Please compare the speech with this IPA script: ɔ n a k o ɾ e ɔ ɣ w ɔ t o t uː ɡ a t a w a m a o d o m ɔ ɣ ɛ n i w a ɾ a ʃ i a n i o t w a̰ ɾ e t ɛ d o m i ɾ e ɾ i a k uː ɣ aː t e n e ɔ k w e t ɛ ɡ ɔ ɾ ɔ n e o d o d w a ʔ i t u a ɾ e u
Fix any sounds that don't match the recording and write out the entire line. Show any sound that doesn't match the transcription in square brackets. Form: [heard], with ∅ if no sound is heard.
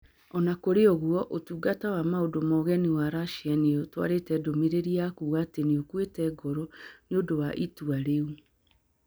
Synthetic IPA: ɔ n a k o ɾ e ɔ ɣ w ɔ [ʔ] o t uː ɡ a t a w a m a o d o m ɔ ɣ ɛ n i w a ɾ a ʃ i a n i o t w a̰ ɾ e t ɛ d o m i ɾ e ɾ i a k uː ɣ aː t e n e [o] k w e t ɛ ɡ ɔ ɾ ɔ n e o d o [∅] w a ʔ i t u a ɾ e u